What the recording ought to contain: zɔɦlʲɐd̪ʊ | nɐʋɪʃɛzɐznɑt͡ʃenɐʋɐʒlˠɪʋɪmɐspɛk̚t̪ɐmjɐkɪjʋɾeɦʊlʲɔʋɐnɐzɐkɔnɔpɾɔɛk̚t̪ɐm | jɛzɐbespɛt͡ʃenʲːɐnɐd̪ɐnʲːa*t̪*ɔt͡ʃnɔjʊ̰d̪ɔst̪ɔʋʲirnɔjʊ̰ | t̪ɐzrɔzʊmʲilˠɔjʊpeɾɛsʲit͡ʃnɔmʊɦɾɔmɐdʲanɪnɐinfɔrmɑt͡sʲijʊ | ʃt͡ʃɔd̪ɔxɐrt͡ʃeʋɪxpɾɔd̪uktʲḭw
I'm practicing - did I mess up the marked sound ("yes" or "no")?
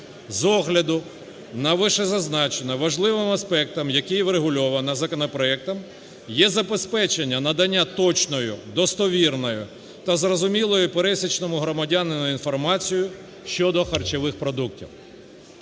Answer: no